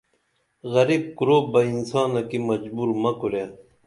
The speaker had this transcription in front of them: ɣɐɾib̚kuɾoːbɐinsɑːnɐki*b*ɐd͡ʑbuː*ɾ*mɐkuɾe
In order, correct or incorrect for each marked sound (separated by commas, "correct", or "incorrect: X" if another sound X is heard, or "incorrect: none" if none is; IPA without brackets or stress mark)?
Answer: incorrect: m, correct